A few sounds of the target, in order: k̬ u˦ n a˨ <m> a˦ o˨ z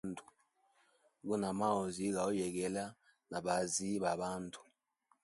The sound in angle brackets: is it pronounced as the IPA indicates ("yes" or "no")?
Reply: yes